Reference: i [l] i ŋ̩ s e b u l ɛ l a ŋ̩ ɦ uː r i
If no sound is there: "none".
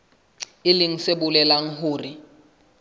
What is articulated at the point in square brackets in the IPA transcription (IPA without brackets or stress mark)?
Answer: l